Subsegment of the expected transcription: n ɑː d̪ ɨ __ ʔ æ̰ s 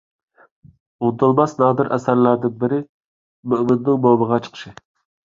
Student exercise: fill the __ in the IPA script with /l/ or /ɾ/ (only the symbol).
ɾ